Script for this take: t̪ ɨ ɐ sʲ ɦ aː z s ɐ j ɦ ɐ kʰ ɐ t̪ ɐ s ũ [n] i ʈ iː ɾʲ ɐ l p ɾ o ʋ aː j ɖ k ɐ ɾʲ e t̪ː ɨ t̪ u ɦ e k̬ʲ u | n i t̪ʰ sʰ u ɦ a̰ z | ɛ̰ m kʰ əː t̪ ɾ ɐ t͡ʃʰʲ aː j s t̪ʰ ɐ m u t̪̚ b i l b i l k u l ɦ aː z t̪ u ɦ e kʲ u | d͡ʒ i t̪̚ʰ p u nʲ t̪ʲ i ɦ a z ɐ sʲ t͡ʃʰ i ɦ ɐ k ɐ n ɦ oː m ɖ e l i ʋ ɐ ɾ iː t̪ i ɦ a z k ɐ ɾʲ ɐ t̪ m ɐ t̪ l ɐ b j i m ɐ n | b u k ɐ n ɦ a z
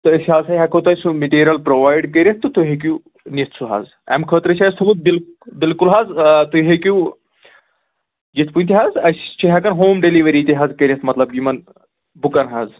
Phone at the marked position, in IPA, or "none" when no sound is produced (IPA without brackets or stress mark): m